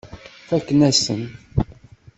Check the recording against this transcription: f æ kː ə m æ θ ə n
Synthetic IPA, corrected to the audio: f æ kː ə n æ s ə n